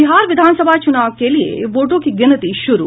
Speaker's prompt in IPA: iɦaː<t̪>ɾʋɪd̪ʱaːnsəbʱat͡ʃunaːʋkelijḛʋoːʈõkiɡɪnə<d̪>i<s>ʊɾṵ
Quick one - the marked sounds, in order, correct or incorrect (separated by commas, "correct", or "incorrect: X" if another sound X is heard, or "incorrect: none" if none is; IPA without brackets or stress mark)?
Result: incorrect: none, incorrect: t̪, incorrect: ʃ